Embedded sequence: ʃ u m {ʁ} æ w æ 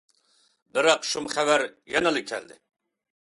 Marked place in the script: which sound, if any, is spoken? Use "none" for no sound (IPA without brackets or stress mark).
χ